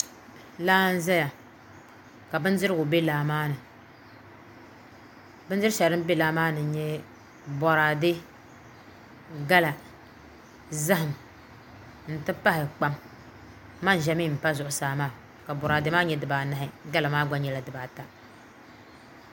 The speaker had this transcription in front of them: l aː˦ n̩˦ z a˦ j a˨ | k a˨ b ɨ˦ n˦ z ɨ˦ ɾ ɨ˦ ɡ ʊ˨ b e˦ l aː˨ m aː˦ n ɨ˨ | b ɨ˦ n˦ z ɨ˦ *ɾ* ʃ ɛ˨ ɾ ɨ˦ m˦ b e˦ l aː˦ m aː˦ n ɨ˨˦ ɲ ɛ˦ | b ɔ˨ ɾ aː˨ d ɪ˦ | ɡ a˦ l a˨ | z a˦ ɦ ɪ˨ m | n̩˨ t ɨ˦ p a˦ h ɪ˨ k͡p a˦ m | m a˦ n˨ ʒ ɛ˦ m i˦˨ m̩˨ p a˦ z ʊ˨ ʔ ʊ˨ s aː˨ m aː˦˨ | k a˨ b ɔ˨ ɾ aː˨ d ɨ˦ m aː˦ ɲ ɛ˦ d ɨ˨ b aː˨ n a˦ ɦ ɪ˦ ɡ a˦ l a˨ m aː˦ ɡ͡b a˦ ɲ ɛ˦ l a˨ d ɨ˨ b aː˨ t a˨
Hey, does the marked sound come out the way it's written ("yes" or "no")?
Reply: yes